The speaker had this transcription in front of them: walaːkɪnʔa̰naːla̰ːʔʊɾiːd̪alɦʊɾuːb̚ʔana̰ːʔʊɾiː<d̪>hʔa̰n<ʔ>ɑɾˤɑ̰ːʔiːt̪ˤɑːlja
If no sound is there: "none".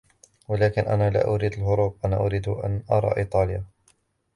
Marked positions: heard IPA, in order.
d̪, ʔ

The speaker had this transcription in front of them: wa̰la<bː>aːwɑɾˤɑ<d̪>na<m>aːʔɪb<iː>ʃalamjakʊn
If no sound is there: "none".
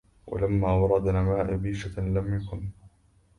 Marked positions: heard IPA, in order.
mː, d̪, m, iː

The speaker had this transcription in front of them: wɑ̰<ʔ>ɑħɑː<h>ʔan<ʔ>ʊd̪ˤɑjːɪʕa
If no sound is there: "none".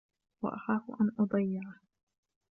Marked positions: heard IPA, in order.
ʔ, f, ʔ

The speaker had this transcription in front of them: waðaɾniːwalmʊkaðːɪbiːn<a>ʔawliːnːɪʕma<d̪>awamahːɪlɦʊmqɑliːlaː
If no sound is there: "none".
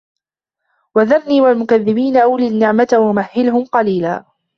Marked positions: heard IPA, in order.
a, t̪

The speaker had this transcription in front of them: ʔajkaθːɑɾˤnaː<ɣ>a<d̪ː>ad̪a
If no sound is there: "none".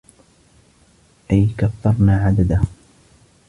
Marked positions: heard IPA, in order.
ʕ, d̪

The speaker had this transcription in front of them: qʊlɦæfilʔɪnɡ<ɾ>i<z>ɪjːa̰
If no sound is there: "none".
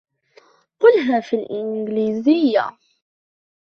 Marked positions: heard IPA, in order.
l, z

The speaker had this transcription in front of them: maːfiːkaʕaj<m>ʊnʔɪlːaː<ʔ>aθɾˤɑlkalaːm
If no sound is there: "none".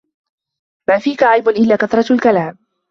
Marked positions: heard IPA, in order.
b, k

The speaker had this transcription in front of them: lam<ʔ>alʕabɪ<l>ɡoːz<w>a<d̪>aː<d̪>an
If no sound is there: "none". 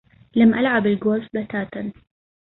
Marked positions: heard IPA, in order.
ʔ, l, b, t̪, t̪

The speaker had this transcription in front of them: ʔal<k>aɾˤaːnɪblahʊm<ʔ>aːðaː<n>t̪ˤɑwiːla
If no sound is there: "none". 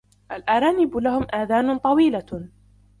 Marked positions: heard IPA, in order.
ʔ, ʔ, n

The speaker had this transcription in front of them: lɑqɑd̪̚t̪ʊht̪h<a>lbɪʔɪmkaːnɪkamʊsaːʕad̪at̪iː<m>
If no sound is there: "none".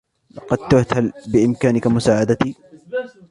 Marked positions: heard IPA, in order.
a, none

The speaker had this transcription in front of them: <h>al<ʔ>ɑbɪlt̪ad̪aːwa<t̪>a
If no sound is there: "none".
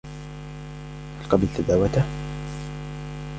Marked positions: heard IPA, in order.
h, q, t̪

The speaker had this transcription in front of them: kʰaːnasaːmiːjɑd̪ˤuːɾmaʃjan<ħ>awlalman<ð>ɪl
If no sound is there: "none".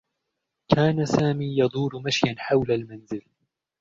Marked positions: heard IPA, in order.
ħ, z

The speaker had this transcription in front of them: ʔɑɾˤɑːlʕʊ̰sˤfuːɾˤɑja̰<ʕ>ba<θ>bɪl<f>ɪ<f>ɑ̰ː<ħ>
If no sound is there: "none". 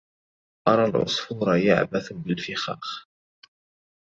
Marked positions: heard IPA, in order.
ʕ, θ, f, x, x

